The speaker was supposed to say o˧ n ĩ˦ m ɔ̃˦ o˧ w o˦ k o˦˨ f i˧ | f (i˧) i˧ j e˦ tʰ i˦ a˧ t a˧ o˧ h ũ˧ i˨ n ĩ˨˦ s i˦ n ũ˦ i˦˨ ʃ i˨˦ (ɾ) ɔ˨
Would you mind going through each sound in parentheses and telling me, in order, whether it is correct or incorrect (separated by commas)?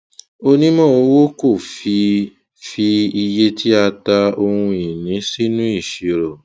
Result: correct, correct